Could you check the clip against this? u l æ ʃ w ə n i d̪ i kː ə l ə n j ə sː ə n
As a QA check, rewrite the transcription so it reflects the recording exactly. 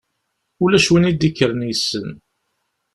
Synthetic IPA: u l æ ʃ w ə n i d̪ i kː ə ɾ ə n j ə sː ə n

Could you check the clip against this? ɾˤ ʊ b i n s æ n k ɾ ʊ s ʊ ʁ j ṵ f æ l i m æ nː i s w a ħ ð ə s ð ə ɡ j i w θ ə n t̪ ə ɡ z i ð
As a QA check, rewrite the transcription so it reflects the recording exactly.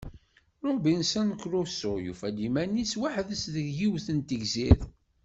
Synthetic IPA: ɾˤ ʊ b i n s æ n k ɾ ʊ s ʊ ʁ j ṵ f æ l i m æ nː i s w a ħ ð ə s ð ə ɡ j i w θ ə n t̪ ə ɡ z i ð

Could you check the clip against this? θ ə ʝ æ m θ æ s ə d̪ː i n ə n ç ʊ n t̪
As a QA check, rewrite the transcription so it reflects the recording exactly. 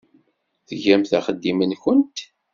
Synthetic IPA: θ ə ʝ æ m θ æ χ ə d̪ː i m ə n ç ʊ n t̪

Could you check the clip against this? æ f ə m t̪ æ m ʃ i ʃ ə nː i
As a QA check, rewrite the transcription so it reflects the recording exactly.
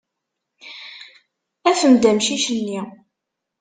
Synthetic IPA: æ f ə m d̪ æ m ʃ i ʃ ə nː i

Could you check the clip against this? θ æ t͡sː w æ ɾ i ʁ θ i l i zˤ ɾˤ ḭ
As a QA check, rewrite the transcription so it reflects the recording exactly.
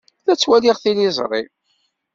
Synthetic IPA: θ æ t͡sː w æ l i ʁ θ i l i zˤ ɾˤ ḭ

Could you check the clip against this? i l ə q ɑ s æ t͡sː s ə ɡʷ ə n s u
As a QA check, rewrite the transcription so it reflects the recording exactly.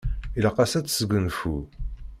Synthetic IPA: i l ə q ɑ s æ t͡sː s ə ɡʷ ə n f u

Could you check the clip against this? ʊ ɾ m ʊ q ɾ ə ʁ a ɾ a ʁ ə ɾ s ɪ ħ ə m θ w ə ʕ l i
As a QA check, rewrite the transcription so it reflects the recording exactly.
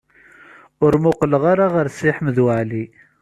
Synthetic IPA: ʊ ɾ m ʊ q l ə ʁ a ɾ a ʁ ə ɾ s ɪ ħ ə m ð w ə ʕ l i

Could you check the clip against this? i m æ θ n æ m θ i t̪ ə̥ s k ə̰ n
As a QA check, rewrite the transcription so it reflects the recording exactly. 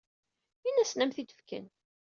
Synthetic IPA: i n æ s n æ m θ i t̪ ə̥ f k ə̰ n

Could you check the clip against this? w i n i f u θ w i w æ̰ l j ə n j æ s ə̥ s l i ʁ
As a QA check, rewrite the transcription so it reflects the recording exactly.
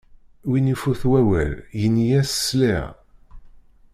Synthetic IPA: w i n i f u θ w æ w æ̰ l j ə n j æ s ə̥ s l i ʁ

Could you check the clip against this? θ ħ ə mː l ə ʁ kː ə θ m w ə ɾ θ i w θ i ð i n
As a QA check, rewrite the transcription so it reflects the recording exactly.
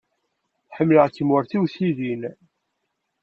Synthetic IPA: θ ħ ə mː l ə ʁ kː ə m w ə ɾ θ i w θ i ð i n

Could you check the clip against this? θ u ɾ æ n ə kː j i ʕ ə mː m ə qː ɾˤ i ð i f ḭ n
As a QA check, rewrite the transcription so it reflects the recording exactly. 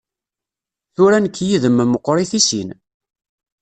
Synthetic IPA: θ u ɾ æ n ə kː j i ð ə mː m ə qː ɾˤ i θ i s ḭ n

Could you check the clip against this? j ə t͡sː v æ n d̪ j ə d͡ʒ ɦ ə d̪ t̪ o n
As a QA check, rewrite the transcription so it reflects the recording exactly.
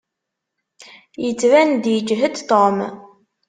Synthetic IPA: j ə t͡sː v æ n d̪ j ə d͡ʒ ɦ ə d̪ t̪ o m

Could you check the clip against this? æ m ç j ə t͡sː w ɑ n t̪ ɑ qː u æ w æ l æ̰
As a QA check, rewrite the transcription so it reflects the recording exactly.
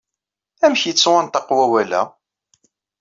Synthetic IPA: æ m ç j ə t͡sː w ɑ n t̪ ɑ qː w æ w æ l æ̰

